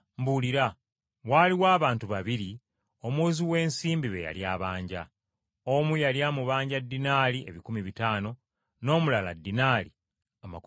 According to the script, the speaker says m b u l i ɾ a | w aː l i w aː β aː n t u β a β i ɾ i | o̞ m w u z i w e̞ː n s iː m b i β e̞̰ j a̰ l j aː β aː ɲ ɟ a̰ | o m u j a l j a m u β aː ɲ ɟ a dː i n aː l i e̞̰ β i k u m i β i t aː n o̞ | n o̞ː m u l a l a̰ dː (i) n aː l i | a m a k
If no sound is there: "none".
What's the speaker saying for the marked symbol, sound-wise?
i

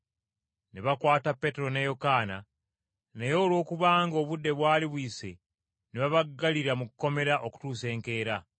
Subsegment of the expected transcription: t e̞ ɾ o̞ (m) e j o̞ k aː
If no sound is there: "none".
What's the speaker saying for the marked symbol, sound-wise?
n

